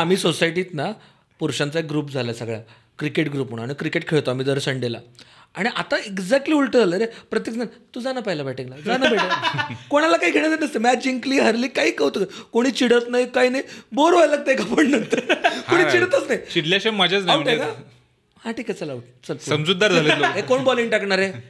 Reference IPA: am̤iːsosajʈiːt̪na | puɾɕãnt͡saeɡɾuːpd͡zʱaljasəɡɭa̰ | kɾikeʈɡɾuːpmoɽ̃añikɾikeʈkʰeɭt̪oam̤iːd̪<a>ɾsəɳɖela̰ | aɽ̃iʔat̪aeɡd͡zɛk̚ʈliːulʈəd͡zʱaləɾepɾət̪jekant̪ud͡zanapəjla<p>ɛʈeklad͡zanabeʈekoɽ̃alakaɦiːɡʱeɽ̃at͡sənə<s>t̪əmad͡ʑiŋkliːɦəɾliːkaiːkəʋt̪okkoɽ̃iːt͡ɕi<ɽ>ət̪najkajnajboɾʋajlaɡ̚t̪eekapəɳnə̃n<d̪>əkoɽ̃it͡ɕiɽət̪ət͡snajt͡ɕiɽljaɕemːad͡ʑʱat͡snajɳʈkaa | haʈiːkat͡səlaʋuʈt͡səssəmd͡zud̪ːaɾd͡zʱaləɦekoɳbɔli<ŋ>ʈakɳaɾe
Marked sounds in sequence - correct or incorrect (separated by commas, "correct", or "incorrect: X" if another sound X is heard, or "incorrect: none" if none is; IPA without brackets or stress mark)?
incorrect: ə, incorrect: b, correct, correct, incorrect: t̪, correct